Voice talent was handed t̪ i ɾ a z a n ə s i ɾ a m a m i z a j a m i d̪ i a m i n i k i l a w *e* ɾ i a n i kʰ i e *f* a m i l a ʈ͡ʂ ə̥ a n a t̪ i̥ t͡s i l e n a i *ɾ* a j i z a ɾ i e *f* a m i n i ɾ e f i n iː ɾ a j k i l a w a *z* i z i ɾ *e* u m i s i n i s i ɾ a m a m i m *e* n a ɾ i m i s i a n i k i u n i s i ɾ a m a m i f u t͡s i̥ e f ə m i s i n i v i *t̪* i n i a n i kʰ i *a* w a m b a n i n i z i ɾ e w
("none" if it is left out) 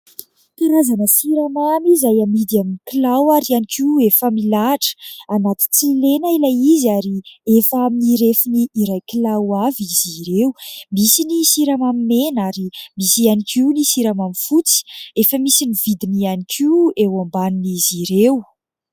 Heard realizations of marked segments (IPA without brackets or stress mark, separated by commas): a, f, l, f, v, e, e, d̪, e